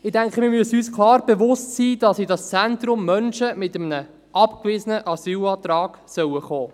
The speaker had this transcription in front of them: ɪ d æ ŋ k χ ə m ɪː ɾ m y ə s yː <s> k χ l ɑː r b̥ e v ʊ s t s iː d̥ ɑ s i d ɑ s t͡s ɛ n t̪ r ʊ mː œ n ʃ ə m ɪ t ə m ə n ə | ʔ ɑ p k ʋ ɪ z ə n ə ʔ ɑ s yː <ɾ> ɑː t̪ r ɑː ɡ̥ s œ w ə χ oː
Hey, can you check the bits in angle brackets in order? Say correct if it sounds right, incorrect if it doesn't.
correct, incorrect: l

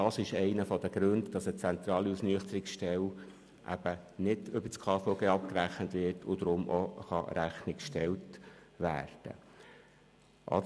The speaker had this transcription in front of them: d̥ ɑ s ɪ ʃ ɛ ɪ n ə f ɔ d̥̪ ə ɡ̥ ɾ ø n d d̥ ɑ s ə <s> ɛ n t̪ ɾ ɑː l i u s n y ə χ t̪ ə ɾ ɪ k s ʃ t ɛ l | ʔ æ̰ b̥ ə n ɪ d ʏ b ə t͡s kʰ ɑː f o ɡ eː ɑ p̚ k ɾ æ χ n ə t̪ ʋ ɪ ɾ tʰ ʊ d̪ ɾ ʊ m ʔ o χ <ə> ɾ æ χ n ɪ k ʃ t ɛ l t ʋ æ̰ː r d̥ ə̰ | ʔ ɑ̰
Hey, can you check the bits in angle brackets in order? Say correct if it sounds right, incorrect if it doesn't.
incorrect: t͡s, incorrect: ɑ

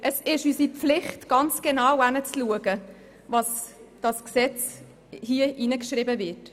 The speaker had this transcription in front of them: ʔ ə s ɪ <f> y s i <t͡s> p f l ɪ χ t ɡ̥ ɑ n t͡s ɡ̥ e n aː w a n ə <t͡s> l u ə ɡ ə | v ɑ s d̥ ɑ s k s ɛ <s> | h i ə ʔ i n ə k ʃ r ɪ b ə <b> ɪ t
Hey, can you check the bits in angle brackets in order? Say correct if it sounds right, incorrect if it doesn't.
incorrect: ʃ, incorrect: none, correct, incorrect: t͡s, incorrect: v

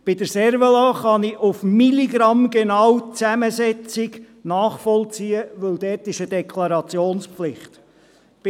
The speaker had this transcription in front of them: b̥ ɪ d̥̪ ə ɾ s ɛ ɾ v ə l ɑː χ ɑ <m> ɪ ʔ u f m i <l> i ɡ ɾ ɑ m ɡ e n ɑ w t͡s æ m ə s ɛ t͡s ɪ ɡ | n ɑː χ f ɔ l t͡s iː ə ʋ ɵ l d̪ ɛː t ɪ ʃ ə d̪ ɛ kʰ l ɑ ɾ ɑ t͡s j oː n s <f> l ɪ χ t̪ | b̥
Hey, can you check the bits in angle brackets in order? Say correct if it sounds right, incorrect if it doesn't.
incorrect: n, correct, correct

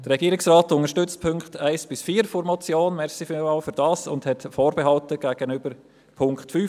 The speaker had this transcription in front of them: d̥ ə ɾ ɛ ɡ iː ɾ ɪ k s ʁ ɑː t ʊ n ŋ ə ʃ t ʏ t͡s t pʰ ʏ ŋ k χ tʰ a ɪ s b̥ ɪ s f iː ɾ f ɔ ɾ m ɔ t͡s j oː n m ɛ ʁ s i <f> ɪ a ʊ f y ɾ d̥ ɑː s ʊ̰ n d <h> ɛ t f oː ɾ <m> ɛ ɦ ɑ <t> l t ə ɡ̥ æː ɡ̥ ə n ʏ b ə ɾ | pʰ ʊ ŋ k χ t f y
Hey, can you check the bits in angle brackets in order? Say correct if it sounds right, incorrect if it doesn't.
correct, correct, incorrect: b, incorrect: none

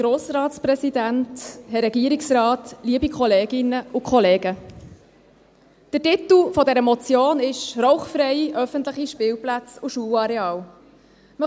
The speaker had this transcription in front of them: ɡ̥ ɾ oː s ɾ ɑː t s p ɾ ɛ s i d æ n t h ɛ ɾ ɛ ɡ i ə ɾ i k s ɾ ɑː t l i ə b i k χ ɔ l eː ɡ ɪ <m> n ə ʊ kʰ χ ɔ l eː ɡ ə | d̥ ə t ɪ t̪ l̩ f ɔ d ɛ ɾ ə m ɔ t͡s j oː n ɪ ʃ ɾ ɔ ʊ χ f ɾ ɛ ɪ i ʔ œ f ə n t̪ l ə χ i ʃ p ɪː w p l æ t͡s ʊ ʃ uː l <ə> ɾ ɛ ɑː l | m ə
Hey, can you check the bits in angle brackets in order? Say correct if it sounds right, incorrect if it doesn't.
incorrect: none, incorrect: ɑ

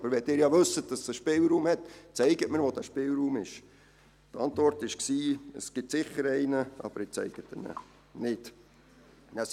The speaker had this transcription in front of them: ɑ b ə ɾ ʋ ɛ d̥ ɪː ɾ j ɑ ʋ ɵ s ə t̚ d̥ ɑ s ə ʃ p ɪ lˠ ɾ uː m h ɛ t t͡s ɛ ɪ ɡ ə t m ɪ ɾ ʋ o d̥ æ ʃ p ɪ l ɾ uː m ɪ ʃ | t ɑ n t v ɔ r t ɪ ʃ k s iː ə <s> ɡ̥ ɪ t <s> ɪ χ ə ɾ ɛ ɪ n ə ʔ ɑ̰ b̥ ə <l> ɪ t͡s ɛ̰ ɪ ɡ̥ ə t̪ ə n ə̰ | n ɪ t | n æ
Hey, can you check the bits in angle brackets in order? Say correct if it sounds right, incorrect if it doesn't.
correct, correct, incorrect: ɾ

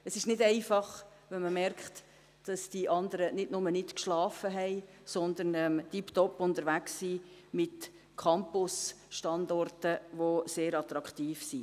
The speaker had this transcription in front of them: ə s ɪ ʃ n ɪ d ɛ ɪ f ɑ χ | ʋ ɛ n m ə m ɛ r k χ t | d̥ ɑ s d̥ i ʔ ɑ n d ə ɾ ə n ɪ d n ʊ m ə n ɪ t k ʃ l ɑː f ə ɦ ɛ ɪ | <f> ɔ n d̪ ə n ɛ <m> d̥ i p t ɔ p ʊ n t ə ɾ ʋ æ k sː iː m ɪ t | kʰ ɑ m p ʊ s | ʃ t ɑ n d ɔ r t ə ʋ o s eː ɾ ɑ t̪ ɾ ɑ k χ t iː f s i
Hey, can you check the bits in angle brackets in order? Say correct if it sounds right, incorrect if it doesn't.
incorrect: s, correct

